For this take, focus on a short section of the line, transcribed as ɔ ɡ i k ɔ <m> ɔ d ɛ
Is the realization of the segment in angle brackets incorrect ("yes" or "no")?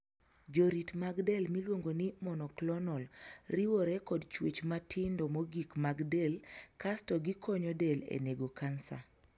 yes